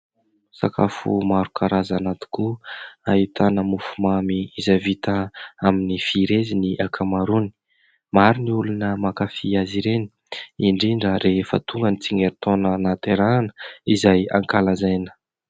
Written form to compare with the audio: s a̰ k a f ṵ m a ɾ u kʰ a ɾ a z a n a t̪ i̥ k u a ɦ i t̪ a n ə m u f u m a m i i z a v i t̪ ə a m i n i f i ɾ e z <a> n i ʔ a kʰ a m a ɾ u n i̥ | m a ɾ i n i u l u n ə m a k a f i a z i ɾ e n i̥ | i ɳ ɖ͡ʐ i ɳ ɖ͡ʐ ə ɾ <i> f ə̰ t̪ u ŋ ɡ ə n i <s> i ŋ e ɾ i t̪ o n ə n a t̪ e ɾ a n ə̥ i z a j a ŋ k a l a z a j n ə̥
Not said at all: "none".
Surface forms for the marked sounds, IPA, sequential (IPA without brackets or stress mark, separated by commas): i, e, t͡s